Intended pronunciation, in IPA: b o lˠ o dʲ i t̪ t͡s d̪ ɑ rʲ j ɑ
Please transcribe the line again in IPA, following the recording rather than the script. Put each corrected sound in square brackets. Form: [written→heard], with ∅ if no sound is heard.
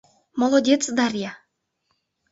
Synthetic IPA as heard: [b→m] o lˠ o dʲ [i→e] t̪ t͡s d̪ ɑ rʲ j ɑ